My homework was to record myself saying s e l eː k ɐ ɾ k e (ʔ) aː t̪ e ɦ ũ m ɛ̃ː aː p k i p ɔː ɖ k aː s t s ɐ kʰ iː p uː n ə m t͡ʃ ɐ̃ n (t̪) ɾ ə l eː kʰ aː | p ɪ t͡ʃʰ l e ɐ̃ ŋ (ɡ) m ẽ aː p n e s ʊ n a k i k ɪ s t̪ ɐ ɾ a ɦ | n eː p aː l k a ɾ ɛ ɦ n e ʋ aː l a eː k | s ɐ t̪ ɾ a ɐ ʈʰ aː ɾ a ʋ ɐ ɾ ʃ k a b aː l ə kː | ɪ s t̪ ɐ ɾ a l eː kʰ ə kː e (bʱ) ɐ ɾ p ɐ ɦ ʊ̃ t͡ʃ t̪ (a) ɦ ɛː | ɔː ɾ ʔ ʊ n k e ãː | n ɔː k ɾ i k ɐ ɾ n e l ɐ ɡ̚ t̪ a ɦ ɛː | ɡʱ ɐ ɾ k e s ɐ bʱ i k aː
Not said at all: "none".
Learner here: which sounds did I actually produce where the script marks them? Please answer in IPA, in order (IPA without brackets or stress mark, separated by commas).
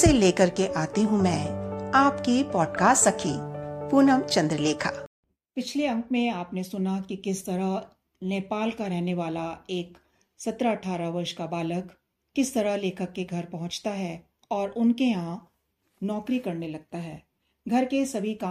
ʔ, d̪, k, ɡʱ, a